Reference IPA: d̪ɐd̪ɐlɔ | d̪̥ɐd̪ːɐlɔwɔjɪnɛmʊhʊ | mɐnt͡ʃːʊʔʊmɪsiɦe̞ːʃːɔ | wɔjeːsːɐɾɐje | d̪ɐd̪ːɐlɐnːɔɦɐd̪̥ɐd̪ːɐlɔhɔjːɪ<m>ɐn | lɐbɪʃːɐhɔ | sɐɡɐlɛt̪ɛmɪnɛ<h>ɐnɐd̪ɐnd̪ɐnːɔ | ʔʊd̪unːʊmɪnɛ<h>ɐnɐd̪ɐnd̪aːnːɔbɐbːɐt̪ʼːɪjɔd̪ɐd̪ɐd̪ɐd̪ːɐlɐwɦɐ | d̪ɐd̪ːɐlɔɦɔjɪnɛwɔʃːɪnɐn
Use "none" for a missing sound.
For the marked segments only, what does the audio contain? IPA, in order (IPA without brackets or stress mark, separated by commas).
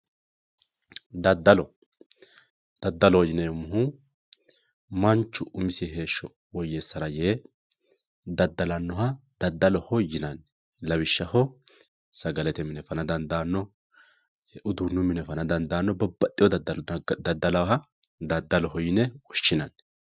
n, f, f